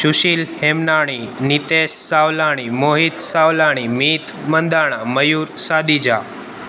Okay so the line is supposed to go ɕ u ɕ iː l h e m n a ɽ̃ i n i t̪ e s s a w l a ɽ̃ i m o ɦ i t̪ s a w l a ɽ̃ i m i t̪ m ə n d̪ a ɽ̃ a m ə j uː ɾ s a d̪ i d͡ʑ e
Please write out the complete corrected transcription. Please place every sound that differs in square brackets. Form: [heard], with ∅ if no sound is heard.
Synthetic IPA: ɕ u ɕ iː l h e m n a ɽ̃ i n i t̪ e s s a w l a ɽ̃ i m o ɦ i t̪ s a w l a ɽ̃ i m i t̪ m ə n d̪ a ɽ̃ a m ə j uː ɾ s a d̪ i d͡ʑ [a]

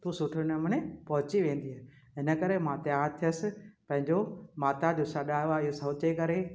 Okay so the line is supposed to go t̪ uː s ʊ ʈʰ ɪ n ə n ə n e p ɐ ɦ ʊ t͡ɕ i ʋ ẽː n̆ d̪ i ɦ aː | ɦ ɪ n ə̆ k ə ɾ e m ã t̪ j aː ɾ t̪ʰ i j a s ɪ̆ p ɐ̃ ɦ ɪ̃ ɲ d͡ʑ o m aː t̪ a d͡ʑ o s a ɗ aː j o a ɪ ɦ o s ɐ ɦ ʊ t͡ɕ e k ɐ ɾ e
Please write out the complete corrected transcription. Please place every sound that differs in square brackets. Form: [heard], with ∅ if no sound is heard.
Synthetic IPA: t̪ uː s ʊ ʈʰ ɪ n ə [m] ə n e p ɐ ɦ ʊ t͡ɕ i ʋ ẽː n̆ d̪ i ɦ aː | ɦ ɪ n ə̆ k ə ɾ e m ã t̪ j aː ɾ t̪ʰ i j [ə] s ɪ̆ p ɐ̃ ɦ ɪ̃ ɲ d͡ʑ o m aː t̪ a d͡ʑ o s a ɗ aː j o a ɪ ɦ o s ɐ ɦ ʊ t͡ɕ e k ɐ ɾ e

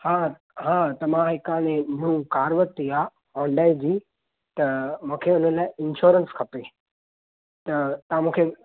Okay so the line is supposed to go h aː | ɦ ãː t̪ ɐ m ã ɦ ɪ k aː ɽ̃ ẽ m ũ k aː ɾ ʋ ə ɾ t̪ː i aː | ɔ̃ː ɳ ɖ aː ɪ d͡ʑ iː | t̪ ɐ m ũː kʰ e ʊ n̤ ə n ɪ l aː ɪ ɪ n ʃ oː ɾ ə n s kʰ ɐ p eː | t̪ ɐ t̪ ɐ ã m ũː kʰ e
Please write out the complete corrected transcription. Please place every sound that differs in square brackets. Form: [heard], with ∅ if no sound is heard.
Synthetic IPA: h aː | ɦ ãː t̪ ɐ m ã ɦ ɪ k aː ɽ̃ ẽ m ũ k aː ɾ ʋ ə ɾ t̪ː i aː | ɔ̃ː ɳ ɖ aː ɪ d͡ʑ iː | t̪ ɐ m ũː kʰ e ʊ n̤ ə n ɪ l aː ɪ ɪ n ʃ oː ɾ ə n s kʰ ɐ p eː | t̪ ɐ t̪ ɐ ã m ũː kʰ e

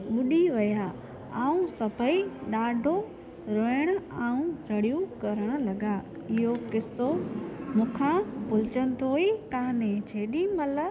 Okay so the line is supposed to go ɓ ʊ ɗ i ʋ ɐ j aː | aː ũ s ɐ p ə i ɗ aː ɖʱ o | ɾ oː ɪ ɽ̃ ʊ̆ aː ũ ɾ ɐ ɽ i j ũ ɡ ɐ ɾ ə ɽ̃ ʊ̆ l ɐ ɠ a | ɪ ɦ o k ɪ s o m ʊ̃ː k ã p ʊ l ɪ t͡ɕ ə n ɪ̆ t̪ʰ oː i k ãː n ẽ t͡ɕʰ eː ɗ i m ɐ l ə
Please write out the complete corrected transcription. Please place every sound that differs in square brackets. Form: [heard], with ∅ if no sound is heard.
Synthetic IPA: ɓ ʊ ɗ i ʋ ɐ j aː | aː ũ s ɐ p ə i ɗ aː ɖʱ o | ɾ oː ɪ ɽ̃ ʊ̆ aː ũ ɾ ɐ ɽ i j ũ [k] ɐ ɾ ə ɽ̃ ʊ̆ l ɐ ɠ a | ɪ ɦ o k ɪ s o m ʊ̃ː [kʰ] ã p ʊ l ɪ t͡ɕ ə n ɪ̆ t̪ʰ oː i k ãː n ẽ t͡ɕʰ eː ɗ i m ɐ l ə

